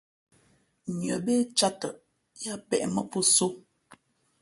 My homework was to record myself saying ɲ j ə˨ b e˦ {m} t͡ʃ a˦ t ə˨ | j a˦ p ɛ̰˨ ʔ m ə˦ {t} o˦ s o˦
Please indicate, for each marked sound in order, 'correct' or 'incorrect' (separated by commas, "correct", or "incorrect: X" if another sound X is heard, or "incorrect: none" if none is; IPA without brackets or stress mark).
incorrect: none, incorrect: p